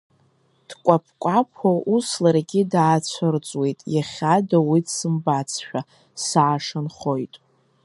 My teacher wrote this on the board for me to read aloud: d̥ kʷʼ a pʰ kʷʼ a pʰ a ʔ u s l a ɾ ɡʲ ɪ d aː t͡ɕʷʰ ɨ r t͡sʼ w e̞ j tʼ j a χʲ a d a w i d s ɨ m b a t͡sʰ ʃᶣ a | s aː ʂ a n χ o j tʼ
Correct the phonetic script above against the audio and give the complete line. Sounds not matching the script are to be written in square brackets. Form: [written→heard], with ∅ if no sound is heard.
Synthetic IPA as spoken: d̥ kʷʼ a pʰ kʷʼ a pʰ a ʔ u s l a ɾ ɡʲ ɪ d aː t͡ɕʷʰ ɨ r t͡sʼ w e̞ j tʼ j a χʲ a d a w i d s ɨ m b a t͡sʰ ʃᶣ a | s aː ʂ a n χ o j tʼ